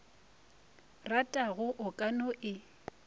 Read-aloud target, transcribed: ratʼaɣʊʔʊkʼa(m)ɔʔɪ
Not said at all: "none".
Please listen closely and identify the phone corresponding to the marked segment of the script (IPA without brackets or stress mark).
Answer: n